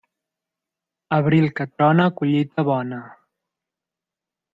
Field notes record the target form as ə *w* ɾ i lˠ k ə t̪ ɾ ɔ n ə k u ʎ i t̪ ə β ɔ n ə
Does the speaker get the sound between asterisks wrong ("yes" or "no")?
yes